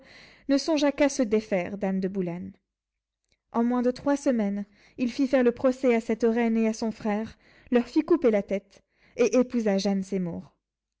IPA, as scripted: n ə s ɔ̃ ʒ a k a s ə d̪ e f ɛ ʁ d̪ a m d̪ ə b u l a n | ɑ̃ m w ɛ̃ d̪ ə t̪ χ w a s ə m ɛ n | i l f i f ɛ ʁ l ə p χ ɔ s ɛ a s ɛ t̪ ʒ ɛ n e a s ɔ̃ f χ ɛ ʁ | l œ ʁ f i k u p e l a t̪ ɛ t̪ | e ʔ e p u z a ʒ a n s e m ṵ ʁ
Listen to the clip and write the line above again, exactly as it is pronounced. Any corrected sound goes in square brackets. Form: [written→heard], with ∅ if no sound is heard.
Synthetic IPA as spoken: n ə s ɔ̃ ʒ a k a s ə d̪ e f ɛ ʁ d̪ a m d̪ ə b u l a n | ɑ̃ m w ɛ̃ d̪ ə t̪ χ w a s ə m ɛ n | i l f i f ɛ ʁ l ə p χ ɔ s ɛ a s ɛ t̪ [ʒ→ʁ] ɛ n e a s ɔ̃ f χ ɛ ʁ | l œ ʁ f i k u p e l a t̪ ɛ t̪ | e ʔ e p u z a ʒ a n s e m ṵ ʁ